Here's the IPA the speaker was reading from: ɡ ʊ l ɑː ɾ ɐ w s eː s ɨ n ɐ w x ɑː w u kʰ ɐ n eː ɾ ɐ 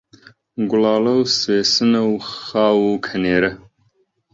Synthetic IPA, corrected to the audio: ɡ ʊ l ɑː l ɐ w s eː s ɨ n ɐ w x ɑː w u kʰ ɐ n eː ɾ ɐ